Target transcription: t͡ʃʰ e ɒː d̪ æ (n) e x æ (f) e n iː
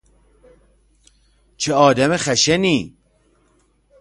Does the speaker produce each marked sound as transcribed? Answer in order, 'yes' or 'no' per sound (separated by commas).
no, no